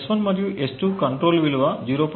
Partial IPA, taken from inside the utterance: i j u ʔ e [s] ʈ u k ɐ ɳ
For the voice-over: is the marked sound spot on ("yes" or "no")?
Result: yes